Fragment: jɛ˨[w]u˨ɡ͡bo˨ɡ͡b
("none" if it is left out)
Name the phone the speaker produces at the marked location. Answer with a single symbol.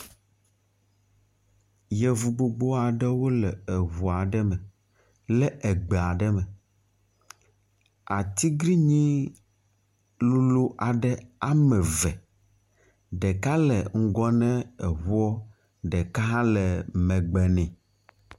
v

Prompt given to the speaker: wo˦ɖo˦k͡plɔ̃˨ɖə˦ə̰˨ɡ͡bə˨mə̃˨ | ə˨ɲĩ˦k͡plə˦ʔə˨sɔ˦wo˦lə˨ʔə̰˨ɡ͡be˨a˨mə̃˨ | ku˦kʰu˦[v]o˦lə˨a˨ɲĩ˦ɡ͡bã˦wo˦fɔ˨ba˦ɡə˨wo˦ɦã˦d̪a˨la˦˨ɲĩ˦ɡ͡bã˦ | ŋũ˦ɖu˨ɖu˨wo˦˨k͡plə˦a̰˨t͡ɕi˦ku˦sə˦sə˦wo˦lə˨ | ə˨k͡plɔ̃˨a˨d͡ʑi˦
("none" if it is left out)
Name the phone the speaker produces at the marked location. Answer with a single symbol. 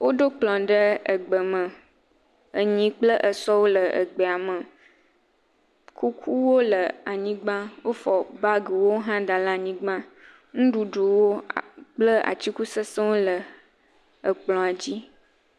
w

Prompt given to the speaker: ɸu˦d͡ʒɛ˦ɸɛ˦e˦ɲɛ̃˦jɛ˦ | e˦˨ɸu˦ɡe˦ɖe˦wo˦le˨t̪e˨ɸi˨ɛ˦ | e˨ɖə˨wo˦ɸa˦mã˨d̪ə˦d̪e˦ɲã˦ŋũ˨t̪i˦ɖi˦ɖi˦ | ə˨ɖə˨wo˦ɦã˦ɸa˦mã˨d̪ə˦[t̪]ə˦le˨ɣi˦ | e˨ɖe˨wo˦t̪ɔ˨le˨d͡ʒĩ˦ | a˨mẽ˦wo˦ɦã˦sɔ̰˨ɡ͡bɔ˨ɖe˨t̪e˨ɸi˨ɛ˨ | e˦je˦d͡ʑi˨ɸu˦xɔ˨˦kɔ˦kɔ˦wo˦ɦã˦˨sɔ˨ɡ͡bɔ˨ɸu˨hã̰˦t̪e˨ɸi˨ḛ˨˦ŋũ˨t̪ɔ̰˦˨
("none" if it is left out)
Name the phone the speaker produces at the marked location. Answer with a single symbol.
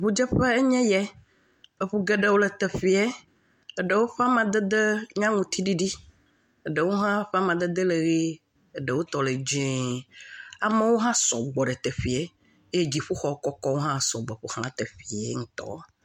d̪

